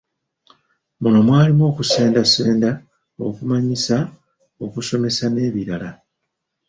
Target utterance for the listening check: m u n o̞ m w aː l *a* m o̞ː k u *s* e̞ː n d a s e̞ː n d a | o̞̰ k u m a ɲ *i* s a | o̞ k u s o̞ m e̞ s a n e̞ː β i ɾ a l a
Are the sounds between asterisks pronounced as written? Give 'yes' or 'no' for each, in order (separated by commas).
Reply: no, yes, yes